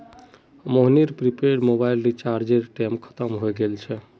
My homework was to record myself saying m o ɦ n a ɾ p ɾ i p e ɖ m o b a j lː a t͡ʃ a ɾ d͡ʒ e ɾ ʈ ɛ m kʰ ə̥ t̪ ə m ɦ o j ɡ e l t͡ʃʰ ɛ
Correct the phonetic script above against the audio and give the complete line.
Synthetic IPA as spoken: m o ɦ n i ɾ p ɾ i p e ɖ m o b a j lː i t͡ʃ a ɾ d͡ʒ e ɾ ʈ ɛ m kʰ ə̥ t̪ ə m ɦ o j ɡ e l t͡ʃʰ ɛ